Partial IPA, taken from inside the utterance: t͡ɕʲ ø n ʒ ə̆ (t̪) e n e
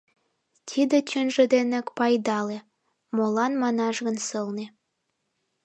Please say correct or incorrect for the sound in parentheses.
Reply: incorrect